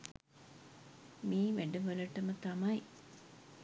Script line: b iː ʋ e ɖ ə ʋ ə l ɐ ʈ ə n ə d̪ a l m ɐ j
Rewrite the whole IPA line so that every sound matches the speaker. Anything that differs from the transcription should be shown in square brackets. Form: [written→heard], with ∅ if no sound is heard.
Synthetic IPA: [b→m] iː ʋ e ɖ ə ʋ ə l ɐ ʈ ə [n→m] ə [d̪→t̪] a [l→∅] m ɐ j